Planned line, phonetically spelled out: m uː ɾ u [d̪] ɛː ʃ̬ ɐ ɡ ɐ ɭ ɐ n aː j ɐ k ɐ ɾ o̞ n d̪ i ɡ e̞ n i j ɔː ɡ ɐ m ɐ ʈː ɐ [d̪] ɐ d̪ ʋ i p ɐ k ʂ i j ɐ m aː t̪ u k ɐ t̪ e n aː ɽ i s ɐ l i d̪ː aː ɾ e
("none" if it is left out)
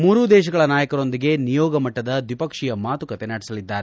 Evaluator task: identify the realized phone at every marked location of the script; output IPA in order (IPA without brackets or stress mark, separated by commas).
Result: d̪, d̪